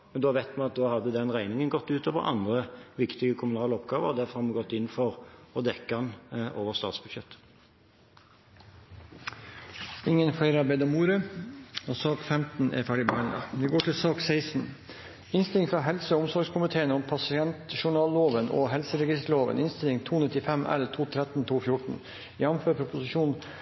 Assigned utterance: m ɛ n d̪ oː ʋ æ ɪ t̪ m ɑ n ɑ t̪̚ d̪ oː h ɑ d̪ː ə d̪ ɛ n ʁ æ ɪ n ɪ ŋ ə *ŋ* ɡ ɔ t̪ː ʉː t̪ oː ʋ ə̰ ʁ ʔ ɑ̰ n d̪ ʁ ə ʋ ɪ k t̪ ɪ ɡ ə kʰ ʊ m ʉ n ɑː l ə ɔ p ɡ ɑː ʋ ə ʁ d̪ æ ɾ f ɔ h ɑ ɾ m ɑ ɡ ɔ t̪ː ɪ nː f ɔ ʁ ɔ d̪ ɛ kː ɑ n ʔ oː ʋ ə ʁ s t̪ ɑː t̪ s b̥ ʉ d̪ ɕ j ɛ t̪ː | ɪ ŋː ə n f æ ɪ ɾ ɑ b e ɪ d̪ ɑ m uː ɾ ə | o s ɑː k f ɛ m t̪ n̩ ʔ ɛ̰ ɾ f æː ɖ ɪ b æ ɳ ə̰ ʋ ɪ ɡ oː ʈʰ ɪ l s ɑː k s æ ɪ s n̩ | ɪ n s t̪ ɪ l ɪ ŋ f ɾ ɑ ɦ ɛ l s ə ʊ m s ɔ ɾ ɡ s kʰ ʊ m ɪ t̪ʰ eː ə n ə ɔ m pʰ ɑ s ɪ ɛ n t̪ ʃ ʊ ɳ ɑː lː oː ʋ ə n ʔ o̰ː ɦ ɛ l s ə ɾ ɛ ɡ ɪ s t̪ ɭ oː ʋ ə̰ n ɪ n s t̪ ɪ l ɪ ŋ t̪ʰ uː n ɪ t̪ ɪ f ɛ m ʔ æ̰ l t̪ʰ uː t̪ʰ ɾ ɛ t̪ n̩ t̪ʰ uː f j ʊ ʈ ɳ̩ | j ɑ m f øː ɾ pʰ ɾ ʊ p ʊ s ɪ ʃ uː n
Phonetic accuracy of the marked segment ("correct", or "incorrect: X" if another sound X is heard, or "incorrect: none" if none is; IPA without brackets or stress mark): incorrect: n